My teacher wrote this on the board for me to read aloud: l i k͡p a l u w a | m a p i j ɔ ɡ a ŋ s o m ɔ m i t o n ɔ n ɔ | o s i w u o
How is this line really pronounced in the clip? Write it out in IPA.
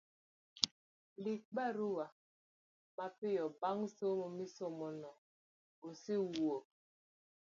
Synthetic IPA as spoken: l i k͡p a ɾ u w a | m a p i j ɔ b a ŋ s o m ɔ m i s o m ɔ n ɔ | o s i w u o

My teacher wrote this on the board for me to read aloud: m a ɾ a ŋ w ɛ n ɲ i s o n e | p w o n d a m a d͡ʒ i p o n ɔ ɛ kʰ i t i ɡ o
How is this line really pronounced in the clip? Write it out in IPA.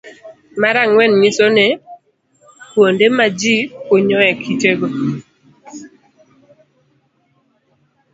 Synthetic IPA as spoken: m a ɾ a ŋ w ɛ n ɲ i s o n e | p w o n d e m a d͡ʒ i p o ɲ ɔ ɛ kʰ i t e ɡ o

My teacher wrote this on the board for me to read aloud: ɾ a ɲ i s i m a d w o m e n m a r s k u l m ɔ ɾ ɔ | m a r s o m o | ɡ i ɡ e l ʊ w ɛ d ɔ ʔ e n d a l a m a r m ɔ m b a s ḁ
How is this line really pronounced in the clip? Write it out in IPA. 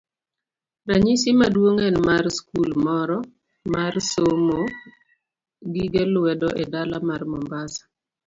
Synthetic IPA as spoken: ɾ a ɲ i s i m a d w o ŋ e n m a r s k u l m ɔ ɾ ɔ | m a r s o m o | ɡ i ɡ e l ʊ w ɛ d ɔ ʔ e d a l a m a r m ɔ m b a s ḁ

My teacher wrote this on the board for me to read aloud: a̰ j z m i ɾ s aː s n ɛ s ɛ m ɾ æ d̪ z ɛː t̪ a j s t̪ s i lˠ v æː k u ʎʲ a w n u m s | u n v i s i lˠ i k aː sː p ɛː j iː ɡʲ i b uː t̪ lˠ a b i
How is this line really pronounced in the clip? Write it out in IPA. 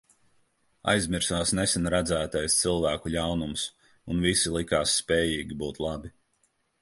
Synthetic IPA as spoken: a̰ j z m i ɾ s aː s n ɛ s ɛ n ɾ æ d̪ z æː t̪ a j s t̪ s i lˠ v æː k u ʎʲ a w n u m s | u n v i s i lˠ i k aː sː p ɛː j iː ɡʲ i b uː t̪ lˠ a b i

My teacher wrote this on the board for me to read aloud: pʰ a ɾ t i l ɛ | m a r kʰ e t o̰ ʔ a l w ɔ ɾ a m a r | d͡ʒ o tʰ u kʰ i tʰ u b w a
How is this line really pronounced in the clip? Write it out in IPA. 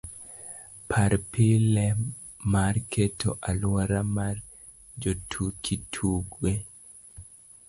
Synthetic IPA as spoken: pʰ a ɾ p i l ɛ | m a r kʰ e t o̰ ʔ a l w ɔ ɾ a m a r | d͡ʒ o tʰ u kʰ i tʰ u ɡ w e

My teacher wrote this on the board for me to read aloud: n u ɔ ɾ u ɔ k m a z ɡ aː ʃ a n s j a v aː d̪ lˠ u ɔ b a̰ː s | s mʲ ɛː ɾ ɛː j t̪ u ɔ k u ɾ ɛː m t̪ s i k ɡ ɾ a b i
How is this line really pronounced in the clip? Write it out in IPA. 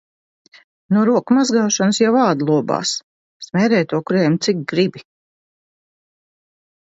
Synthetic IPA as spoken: n u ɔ ɾ u ɔ k m a z ɡ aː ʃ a n s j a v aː d̪ lˠ u ɔ b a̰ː s | s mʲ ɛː ɾ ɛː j t̪ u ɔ k u ɾ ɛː m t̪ s i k ɡ ɾ i b i

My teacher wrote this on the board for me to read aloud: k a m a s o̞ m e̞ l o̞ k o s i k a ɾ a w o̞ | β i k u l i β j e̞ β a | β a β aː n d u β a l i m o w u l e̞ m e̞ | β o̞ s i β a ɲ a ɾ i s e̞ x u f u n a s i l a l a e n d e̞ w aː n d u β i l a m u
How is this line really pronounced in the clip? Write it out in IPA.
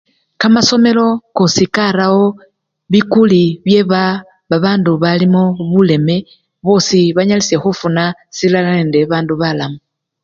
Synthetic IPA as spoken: k a m a s o̞ m e̞ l o̞ k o s i k a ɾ a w o̞ | β i k u l i β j e̞ β a | β a β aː n d u β a l i m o β u l e̞ m e̞ | β o̞ s i β a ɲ a l i s e̞ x u f u n a s i l a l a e n d e̞ β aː n d u β a l a m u

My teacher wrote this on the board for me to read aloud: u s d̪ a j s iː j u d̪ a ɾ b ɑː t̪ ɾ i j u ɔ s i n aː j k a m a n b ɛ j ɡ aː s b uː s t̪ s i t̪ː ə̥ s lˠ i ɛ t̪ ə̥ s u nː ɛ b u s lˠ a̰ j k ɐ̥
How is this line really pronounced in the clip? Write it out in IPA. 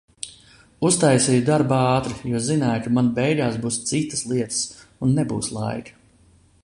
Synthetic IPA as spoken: u s t̪ a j s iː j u d̪ a ɾ b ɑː t̪ ɾ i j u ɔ z i n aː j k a m a n b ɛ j ɡ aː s b uː s t̪ s i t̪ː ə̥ s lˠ i ɛ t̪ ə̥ s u nː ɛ b uː s lˠ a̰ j k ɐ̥

